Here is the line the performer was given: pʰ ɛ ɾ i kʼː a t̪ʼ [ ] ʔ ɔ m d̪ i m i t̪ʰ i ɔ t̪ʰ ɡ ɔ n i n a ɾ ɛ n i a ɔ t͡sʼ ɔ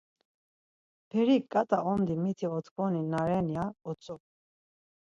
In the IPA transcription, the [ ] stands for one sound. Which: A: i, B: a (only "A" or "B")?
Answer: B